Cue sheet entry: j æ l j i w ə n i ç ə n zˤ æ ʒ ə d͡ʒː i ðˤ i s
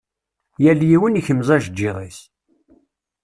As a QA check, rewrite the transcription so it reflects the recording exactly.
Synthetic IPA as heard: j æ l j i w ə n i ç ə m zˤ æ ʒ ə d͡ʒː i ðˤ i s